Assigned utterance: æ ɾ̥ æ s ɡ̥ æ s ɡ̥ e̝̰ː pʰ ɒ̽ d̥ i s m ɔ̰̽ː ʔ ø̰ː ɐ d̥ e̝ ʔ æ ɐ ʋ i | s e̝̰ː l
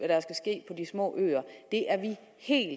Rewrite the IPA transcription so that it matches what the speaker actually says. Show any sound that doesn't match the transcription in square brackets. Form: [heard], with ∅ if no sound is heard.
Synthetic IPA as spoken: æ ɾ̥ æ s ɡ̥ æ s ɡ̥ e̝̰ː pʰ ɒ̽ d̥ i s m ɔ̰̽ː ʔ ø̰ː ɐ d̥ e̝ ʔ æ ɐ ʋ i | [h] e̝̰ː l